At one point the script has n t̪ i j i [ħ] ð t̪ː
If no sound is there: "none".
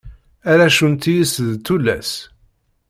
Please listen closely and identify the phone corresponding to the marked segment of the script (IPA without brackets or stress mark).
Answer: s